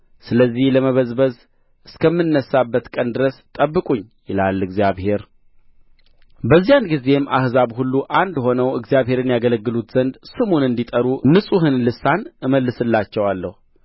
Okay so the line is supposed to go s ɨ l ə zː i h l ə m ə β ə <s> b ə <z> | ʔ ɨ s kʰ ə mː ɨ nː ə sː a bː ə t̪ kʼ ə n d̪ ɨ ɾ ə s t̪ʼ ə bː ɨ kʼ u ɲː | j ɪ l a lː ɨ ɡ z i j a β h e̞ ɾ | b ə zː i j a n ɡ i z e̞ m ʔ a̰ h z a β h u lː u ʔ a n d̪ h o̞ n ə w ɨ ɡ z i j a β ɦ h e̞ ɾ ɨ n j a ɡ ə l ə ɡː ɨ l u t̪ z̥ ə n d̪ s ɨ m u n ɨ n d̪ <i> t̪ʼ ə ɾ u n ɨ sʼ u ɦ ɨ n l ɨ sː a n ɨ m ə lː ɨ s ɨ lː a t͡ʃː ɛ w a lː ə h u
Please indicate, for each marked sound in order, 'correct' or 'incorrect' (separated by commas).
incorrect, correct, correct